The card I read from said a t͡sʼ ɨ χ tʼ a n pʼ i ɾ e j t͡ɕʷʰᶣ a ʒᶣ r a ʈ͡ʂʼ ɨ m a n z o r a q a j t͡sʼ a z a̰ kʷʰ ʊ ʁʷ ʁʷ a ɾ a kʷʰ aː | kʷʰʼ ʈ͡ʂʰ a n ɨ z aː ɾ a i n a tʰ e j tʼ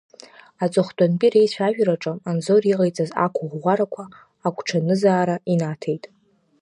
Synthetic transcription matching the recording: a t͡sʼ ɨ χ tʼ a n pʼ i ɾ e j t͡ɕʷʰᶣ a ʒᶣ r a ʈ͡ʂʼ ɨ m a n z o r i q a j t͡sʼ a z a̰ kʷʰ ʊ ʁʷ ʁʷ a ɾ a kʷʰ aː | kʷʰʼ ʈ͡ʂʰ a n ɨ z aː ɾ a i n a tʰ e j tʼ